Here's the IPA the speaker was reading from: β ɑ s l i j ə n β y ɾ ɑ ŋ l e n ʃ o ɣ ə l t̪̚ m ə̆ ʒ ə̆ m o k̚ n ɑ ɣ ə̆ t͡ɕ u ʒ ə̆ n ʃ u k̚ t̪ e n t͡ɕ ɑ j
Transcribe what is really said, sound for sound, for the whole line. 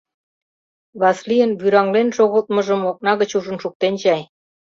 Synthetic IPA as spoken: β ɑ s l i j ə n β y ɾ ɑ ŋ l e n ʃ o ɣ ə l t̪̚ m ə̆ ʒ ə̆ m o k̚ n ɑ ɣ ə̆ t͡ɕ u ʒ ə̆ n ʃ u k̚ t̪ e n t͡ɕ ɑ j